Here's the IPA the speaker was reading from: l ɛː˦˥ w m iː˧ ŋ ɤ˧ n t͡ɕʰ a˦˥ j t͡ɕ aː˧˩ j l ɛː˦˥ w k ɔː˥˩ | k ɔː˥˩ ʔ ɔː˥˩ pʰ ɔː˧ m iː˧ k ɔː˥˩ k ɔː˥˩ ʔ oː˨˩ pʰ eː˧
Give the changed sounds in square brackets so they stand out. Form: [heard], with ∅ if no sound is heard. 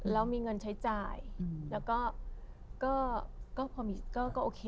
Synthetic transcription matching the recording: l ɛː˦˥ w m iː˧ ŋ ɤ˧ n t͡ɕʰ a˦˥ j t͡ɕ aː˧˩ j l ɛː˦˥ w k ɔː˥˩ | k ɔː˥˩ [k] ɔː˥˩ pʰ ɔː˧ m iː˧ k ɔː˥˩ k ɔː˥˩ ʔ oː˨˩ [kʰ] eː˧